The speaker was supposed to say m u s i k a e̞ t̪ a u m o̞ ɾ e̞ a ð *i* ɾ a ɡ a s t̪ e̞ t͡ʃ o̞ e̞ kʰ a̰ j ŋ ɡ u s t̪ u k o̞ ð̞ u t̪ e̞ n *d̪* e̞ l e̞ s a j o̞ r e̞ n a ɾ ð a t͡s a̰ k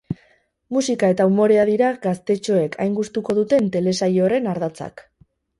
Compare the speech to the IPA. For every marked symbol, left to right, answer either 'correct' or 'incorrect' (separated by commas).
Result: correct, incorrect